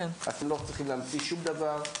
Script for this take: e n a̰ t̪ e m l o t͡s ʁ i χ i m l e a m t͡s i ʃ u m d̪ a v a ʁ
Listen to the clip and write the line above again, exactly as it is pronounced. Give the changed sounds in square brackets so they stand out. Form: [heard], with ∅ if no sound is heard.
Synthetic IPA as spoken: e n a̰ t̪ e m l o t͡s ʁ i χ i m l e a m t͡s i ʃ u m d̪ a v a ʁ